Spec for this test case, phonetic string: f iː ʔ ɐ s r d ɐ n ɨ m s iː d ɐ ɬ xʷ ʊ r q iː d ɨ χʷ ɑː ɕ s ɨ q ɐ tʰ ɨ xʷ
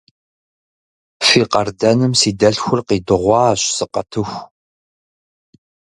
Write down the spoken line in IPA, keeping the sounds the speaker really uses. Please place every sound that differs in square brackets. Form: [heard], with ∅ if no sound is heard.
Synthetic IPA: f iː [q] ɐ [∅] r d ɐ n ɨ m s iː d ɐ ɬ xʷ ʊ r q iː d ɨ [ʁʷ] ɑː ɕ s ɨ q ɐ tʰ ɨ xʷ